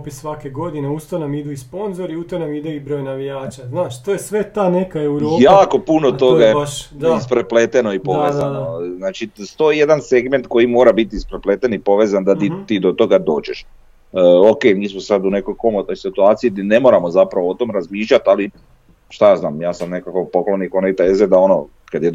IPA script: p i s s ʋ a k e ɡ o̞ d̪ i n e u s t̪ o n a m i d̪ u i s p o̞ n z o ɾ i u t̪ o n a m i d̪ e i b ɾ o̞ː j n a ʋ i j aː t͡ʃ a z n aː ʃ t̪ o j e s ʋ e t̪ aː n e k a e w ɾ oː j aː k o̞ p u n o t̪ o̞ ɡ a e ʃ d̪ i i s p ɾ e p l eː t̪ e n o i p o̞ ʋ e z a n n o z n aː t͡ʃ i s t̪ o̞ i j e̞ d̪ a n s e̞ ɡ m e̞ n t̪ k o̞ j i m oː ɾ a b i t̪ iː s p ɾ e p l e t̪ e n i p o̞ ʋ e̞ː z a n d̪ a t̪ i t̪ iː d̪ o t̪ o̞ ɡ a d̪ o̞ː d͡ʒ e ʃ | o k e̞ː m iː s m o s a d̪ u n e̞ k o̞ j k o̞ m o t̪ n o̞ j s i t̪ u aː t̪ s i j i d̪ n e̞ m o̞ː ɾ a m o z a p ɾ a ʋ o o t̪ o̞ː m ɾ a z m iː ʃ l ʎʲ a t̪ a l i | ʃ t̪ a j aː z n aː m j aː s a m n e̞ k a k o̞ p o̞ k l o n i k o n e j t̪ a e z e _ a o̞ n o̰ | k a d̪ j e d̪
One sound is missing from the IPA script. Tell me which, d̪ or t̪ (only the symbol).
d̪